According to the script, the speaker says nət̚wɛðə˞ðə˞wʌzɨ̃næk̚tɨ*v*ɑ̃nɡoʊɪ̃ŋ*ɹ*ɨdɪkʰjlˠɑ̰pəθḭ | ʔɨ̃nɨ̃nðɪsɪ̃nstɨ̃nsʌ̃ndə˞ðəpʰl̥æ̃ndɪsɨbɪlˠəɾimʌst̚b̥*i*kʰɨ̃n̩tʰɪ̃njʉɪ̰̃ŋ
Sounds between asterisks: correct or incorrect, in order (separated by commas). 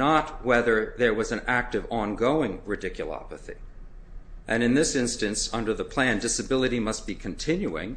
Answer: correct, correct, correct